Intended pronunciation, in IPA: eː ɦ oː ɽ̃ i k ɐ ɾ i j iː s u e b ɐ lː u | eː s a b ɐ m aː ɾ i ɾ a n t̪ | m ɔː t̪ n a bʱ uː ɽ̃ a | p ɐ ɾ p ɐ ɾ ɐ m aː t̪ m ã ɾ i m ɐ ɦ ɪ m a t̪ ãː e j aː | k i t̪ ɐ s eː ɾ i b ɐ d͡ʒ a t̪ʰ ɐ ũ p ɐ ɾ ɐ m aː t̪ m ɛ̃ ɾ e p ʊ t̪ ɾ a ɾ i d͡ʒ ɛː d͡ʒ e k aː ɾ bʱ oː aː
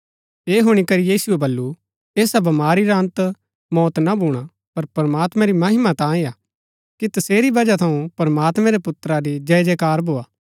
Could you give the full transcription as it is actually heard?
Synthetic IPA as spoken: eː ɦ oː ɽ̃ i k ɐ ɾ i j iː s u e b ɐ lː u | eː s a b ɐ m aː ɾ i ɾ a n t̪ | m ɔː t̪ n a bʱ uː ɽ̃ a | p ɐ ɾ p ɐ ɾ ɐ m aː t̪ m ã ɾ i m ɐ ɦ ɪ m a t̪ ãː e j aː | k i t̪ ɐ s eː ɾ i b ɐ d͡ʒ a t̪ʰ ɐ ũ p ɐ ɾ ɐ m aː t̪ m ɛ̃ ɾ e p ʊ t̪ ɾ a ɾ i d͡ʒ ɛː d͡ʒ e k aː ɾ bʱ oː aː